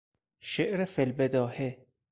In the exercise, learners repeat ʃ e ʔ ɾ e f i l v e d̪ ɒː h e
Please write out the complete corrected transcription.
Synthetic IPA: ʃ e ʔ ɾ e f e l b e d̪ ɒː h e